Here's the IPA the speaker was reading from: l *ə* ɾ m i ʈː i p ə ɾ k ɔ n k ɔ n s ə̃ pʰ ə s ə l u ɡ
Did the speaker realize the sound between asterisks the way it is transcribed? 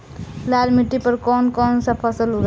no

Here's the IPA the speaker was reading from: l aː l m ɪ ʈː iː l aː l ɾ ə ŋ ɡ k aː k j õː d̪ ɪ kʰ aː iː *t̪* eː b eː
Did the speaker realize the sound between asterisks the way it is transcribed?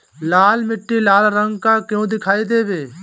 no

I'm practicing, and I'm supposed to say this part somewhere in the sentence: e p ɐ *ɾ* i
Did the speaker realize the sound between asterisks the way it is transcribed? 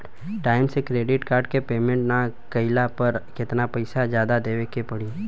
no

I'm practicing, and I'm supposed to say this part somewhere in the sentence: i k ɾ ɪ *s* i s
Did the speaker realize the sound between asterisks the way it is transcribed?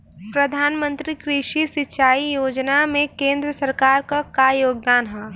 no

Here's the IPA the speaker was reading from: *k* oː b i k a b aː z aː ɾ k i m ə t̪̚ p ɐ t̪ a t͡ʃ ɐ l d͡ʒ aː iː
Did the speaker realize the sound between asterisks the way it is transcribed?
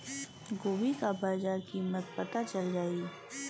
no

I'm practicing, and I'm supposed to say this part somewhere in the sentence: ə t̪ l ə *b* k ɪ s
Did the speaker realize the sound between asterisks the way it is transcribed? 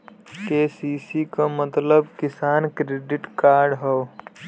yes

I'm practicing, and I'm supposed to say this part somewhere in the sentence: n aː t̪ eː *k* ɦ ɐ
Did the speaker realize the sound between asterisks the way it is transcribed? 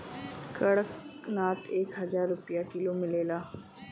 yes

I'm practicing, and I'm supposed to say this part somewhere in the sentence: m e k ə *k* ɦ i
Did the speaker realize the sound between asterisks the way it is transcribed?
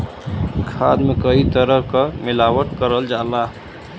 no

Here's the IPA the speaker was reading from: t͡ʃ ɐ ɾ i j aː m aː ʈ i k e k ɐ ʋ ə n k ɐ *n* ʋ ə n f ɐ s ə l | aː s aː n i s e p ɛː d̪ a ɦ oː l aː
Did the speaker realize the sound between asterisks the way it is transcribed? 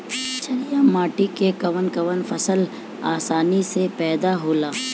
no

